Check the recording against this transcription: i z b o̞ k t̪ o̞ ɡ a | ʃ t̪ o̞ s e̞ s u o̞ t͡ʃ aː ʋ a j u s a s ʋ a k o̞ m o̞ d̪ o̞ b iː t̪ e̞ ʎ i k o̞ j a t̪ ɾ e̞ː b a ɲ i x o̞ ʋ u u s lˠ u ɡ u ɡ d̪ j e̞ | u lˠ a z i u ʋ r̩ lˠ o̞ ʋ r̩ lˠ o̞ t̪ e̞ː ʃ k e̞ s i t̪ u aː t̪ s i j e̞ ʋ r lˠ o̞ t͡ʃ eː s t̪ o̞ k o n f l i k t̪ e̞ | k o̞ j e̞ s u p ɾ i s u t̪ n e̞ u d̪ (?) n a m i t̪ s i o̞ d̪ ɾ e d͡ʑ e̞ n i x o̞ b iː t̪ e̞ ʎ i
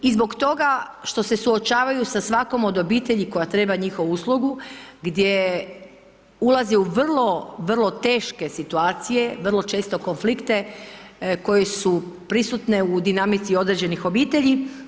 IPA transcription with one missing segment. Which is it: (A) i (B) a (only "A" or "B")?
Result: A